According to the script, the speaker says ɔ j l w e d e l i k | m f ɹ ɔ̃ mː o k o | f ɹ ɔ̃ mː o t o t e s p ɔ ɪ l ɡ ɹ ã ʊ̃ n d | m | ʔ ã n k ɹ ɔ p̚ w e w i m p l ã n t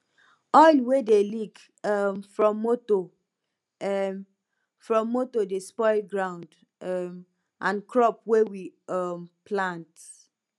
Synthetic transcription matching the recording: ɔ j l w e d e l i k | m f ɹ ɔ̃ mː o t o | f ɹ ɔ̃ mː o t o d e s p ɔ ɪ l ɡ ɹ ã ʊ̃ n d | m | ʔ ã n k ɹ ɔ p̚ w e w i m p l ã n t